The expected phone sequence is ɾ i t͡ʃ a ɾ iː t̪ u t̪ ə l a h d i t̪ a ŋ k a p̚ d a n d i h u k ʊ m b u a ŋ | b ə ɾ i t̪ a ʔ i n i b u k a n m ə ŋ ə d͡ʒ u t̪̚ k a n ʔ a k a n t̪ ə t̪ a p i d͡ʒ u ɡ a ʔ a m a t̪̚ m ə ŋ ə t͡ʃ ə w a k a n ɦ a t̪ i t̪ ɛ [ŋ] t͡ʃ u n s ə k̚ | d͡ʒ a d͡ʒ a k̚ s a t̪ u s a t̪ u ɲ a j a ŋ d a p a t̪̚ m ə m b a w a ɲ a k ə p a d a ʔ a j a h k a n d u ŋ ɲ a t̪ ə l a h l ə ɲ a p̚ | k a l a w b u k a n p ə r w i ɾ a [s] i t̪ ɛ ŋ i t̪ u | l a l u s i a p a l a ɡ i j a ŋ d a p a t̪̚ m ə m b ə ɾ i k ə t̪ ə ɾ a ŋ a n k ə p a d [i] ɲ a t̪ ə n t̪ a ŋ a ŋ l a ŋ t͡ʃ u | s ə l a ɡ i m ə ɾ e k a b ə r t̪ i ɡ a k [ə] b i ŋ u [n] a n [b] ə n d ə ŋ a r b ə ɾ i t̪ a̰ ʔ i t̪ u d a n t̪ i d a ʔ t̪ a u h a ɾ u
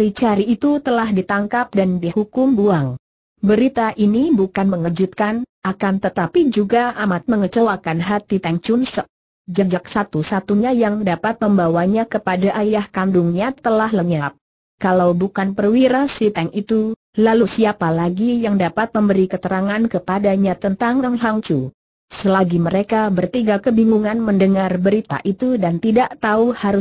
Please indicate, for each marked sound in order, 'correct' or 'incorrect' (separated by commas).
correct, correct, incorrect, correct, incorrect, incorrect